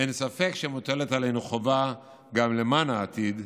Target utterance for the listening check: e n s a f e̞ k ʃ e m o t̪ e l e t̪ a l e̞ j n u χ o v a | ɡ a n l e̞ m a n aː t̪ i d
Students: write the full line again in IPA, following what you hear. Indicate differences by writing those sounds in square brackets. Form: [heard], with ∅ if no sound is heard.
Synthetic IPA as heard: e n s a f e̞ k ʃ e m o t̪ e l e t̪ a l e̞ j n u χ o v a | ɡ a [m] l e̞ m a n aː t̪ i d